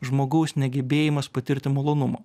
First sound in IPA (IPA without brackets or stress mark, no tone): ʒ